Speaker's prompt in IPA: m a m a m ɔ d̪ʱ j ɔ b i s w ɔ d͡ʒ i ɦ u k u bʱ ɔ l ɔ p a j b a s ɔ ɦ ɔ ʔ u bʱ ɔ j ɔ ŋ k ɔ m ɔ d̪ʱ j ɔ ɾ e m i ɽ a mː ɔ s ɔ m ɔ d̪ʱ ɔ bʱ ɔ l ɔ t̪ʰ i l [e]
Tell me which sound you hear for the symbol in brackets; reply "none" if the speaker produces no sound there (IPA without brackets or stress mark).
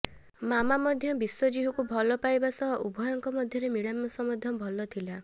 a